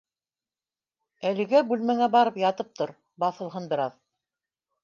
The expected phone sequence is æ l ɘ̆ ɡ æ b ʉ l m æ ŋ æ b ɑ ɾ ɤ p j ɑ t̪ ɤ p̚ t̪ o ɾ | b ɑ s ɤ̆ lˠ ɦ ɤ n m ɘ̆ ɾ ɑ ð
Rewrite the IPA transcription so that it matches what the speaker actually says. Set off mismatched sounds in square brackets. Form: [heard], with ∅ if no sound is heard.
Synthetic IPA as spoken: æ l ɘ̆ ɡ æ b ʉ l m æ ŋ æ b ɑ ɾ ɤ p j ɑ t̪ ɤ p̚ t̪ o ɾ | b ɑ [θ] ɤ̆ lˠ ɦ ɤ n [b] ɘ̆ ɾ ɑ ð